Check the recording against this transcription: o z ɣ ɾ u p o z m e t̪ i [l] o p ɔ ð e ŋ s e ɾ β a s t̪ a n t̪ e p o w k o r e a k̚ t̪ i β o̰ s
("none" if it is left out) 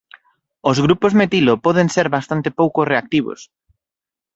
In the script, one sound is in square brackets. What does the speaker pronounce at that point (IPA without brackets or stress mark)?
l